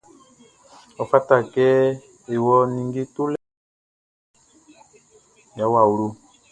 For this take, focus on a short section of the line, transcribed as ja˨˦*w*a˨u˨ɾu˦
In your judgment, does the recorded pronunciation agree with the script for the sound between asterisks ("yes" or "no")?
yes